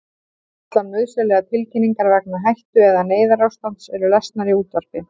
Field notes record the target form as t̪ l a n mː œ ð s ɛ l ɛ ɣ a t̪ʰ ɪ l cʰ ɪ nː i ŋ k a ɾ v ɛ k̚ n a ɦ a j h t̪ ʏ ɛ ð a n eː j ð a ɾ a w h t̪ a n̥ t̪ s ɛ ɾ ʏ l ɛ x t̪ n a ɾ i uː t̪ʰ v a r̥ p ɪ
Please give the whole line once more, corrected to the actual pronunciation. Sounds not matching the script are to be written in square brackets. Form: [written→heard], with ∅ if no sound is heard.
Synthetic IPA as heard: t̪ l a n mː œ ð s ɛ l ɛ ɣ a t̪ʰ ɪ l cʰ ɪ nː i ŋ k a ɾ v ɛ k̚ n a ɦ a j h t̪ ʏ ɛ ð a n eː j ð a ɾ a w [h→s] t̪ a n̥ t̪ s ɛ ɾ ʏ l ɛ [x→s] t̪ n a ɾ i uː [t̪ʰ→t̪] v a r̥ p ɪ